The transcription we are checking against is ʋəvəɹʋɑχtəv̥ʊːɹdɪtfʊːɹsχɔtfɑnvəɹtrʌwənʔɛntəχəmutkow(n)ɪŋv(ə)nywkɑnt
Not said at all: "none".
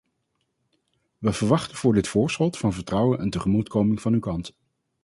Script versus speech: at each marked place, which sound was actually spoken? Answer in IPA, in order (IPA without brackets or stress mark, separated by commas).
m, ɑ